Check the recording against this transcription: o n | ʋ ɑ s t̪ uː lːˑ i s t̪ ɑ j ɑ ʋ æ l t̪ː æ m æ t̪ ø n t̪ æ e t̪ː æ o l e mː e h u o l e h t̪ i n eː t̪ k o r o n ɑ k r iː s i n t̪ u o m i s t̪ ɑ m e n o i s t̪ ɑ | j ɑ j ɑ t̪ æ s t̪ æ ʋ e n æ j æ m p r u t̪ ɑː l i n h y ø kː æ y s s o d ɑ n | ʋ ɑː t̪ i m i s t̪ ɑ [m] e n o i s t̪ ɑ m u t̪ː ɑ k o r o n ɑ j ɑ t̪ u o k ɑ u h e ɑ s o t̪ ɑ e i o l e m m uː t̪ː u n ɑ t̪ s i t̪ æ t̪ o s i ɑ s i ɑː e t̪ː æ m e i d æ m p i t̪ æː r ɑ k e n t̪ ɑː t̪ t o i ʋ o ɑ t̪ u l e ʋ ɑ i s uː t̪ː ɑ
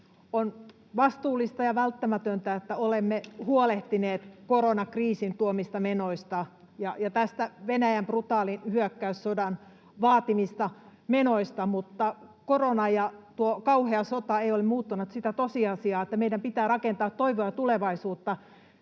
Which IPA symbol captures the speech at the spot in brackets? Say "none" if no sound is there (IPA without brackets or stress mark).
m